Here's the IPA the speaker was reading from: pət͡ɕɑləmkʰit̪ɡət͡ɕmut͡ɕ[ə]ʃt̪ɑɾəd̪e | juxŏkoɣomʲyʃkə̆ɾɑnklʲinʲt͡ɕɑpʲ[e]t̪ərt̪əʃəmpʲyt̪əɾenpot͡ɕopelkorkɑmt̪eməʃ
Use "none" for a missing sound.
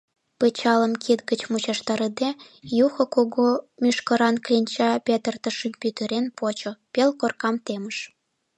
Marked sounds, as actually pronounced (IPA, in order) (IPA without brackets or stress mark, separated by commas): ɑ, e